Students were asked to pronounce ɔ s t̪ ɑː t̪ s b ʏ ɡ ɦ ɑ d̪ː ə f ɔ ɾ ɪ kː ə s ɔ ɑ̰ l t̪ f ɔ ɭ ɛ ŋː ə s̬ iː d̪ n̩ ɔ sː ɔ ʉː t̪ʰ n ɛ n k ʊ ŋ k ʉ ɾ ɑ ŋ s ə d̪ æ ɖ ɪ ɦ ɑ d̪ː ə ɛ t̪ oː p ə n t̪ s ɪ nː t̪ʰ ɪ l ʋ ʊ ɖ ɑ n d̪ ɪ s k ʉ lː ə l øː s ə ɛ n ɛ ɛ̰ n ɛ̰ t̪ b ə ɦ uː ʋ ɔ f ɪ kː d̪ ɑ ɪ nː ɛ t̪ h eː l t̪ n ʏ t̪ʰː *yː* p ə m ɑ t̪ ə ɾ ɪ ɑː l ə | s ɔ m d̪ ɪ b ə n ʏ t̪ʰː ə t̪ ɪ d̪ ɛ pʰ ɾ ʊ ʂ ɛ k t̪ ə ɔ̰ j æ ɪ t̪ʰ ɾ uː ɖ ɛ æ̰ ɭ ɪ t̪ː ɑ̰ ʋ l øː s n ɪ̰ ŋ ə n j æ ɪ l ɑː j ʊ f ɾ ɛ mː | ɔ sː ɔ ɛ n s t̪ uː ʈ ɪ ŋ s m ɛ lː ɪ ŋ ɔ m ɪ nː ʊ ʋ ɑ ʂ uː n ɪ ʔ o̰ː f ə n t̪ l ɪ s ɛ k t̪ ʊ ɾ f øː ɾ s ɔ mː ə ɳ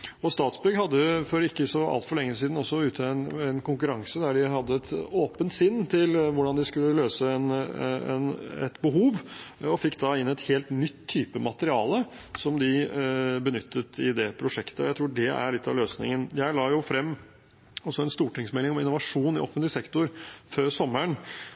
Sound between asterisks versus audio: correct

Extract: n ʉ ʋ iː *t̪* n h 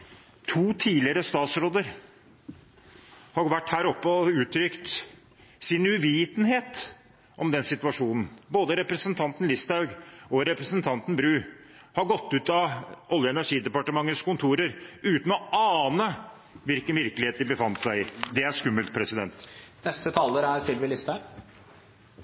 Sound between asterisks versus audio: correct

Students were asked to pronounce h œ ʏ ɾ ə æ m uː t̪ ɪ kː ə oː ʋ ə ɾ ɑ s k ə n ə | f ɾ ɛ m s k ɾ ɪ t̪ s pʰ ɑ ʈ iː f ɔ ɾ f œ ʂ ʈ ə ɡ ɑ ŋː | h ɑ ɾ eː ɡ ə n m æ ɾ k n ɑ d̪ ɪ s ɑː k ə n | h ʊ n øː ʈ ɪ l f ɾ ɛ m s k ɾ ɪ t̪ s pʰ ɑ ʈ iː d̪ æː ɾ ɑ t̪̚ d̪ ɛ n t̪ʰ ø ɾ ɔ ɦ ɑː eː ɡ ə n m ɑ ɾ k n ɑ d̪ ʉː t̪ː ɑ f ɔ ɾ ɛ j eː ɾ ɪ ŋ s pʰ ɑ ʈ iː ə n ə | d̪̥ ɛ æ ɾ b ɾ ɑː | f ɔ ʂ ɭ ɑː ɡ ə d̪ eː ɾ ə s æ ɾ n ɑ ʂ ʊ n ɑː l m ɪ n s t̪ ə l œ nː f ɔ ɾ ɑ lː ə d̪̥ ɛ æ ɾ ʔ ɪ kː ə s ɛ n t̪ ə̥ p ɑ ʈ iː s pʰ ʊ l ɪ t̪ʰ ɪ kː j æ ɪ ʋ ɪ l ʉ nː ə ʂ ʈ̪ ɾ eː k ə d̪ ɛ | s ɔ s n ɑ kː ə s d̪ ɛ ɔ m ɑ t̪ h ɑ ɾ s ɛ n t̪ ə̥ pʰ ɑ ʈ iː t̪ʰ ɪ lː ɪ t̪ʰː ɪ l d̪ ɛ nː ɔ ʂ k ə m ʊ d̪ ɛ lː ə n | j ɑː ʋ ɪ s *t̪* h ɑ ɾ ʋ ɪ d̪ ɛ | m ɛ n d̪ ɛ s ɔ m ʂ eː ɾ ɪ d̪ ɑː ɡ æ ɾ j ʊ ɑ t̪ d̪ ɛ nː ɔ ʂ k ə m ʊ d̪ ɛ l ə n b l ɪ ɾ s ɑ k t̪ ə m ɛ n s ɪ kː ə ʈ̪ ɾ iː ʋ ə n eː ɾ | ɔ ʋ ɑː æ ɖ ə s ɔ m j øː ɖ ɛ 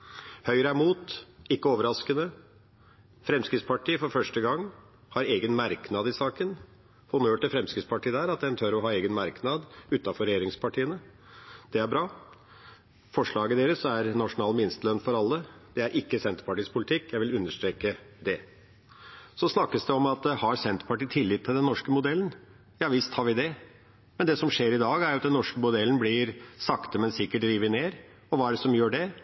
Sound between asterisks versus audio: correct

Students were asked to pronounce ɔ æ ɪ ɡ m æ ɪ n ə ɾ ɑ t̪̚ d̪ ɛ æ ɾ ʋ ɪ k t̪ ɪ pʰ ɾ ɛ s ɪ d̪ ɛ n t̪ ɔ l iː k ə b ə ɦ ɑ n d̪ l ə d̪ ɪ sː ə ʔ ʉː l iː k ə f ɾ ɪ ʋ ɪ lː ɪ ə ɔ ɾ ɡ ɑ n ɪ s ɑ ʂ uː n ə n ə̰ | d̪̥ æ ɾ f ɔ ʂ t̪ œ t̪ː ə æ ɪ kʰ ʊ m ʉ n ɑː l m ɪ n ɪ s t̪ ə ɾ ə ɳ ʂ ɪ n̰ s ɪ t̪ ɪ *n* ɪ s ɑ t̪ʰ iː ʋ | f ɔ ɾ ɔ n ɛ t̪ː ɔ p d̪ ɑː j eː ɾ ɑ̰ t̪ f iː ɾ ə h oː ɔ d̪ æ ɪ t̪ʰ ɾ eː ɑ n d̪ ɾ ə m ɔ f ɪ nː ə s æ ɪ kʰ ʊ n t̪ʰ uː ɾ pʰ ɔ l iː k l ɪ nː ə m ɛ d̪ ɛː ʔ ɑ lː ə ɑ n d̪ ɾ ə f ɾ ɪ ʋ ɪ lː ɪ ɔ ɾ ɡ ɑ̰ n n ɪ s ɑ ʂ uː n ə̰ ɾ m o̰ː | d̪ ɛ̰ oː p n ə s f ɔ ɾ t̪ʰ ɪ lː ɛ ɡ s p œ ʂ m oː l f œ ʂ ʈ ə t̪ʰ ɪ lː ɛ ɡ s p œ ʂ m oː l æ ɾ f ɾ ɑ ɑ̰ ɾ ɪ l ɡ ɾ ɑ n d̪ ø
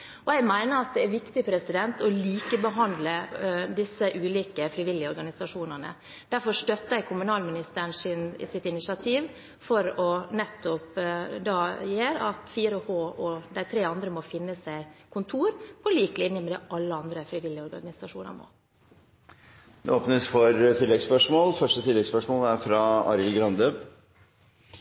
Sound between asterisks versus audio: correct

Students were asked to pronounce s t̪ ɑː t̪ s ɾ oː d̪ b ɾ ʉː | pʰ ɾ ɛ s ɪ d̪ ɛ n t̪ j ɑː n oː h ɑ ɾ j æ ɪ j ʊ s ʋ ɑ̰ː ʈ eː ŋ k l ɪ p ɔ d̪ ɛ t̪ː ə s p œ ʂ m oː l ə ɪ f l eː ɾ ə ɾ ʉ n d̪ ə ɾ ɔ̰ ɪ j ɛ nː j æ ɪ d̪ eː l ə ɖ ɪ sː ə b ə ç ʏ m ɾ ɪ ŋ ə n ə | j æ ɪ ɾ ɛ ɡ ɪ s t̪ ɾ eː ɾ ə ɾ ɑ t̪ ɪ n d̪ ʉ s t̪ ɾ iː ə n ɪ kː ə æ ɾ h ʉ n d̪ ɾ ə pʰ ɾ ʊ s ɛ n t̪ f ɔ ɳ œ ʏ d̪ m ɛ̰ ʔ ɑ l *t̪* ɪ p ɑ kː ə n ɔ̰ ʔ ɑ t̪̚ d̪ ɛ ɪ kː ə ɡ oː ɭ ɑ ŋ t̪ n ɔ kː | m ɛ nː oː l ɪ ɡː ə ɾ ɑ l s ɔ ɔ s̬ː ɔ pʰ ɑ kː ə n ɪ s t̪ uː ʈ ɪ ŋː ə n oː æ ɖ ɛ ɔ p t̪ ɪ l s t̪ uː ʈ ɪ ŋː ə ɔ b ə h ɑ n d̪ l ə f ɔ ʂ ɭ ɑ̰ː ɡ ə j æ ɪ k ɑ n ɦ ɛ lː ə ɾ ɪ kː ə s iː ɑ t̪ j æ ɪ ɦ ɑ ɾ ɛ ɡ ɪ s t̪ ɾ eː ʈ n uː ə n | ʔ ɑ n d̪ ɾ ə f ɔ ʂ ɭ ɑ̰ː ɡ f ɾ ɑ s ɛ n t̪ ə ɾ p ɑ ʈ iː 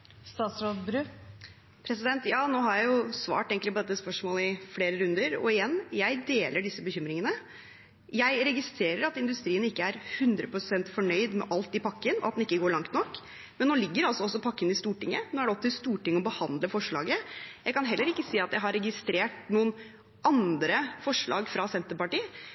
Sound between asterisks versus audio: correct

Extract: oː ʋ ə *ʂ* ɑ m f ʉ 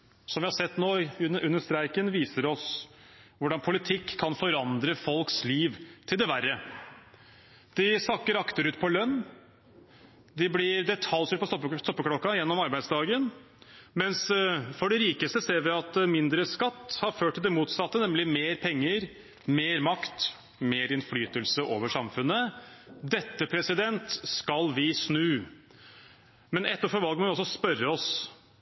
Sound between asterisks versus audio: correct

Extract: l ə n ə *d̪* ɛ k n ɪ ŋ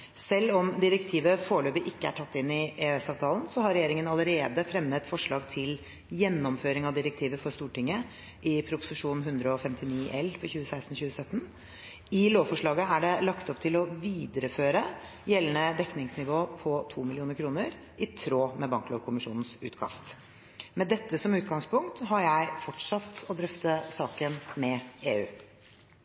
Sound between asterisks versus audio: correct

